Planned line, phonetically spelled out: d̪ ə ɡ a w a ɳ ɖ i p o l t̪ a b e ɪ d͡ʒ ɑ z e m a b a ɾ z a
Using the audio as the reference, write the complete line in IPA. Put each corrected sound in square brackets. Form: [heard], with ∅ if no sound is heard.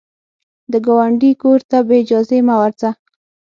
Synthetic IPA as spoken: d̪ ə ɡ a w a ɳ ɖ i [k] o [ɾ] t̪ a b e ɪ d͡ʒ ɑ z e m a [w] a ɾ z a